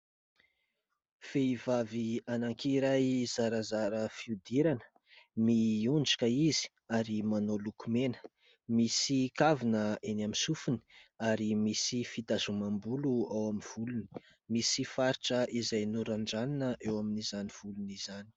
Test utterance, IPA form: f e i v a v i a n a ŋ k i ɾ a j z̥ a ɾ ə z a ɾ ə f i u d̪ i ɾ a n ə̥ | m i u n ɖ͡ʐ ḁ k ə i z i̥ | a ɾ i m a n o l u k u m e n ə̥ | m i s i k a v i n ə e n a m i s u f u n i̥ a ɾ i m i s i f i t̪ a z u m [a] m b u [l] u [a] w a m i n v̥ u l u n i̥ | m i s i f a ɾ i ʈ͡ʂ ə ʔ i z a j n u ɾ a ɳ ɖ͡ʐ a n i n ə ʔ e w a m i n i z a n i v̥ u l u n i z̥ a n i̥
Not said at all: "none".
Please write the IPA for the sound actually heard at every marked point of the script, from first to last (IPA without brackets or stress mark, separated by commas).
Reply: a, l, a